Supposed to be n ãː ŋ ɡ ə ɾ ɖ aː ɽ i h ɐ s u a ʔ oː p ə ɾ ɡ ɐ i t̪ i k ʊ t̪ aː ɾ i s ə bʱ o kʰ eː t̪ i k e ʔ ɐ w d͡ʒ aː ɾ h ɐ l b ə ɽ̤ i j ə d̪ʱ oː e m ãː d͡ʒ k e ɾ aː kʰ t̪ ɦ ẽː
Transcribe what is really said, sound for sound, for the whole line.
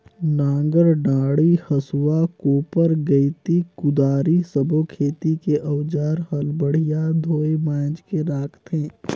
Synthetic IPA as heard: n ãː ŋ ɡ ə ɾ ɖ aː ɽ i h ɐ s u a k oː p ə ɾ ɡ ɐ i t̪ i k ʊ d̪ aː ɾ i s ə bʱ o kʰ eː t̪ i k e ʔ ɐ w d͡ʒ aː ɾ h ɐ l b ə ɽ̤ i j a d̪ʱ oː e m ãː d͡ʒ k e ɾ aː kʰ t̪ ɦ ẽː